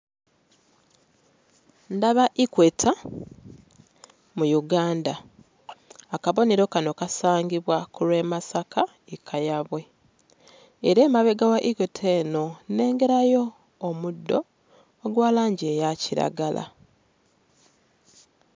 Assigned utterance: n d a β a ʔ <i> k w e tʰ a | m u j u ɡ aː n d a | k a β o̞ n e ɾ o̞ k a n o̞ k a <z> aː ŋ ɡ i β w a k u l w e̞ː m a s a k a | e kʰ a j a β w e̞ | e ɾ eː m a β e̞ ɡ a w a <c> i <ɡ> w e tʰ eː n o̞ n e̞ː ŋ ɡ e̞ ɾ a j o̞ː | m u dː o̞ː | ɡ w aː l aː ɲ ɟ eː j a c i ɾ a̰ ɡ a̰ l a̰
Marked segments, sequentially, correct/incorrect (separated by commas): correct, incorrect, incorrect, incorrect